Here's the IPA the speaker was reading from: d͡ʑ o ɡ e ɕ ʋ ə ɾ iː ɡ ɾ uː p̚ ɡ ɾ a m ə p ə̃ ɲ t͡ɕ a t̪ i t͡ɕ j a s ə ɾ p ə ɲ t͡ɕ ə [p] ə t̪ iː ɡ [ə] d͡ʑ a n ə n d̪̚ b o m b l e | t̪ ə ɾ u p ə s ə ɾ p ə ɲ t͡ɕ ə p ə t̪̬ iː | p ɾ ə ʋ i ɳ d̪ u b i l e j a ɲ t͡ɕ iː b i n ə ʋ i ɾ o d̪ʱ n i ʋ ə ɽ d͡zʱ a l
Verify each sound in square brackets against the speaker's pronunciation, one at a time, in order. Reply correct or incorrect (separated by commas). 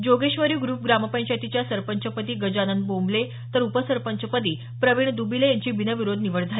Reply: correct, correct